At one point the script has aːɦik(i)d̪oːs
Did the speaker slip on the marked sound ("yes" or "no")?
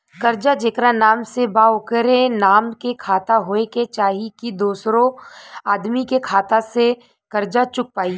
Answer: no